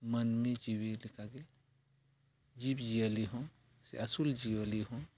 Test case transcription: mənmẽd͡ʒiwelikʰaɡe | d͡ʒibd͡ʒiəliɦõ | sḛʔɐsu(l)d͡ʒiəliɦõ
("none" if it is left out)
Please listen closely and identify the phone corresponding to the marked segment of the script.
l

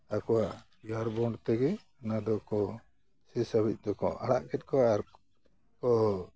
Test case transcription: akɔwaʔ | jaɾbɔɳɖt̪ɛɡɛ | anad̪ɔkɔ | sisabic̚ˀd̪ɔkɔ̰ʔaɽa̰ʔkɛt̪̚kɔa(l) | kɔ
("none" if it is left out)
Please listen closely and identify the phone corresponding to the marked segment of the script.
ɾ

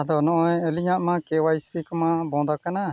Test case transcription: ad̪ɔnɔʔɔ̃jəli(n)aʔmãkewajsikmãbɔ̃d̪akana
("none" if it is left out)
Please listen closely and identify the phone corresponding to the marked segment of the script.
ɲ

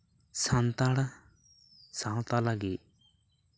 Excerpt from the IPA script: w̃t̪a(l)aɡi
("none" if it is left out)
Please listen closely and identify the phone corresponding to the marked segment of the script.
l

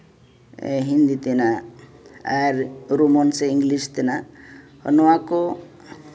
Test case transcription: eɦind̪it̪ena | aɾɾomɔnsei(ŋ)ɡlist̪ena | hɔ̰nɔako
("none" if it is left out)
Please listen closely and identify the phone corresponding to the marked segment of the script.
ŋ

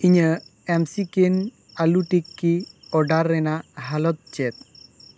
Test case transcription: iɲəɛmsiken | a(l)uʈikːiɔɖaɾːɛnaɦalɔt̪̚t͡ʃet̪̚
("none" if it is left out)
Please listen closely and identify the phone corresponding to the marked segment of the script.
l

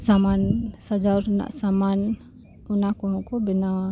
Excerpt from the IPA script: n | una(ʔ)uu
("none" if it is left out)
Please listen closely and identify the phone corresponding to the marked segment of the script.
k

